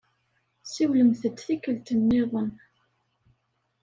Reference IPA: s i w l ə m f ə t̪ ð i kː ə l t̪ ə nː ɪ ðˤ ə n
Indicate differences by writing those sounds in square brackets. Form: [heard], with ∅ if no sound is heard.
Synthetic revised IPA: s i w l ə m [θ] ə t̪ [θ] i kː ə l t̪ ə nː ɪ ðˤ ə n